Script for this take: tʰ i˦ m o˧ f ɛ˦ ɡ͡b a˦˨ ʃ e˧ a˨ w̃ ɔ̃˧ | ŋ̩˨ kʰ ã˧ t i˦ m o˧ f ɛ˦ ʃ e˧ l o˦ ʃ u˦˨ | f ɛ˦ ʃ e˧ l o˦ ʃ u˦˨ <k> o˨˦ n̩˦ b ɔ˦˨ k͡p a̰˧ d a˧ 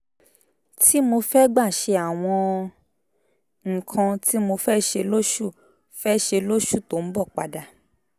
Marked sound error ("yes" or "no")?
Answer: yes